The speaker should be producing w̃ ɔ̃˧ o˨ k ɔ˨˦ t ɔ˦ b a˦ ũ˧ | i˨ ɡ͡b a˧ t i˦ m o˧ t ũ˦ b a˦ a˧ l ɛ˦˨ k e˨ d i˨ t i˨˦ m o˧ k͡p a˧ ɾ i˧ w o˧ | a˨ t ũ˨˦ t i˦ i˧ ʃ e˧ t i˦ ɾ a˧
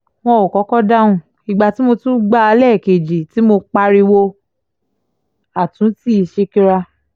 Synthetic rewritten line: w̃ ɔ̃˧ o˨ k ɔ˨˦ k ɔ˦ d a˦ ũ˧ | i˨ ɡ͡b a˧ t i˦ m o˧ t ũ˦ ɡ͡b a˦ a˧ l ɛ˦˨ k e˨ d͡ʒ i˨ t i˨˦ m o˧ k͡p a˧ ɾ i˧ w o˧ | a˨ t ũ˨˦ t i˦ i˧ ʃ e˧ k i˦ ɾ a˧